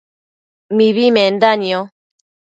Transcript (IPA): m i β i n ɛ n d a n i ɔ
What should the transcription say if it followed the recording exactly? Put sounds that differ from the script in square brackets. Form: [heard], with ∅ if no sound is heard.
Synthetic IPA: m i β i [m] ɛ n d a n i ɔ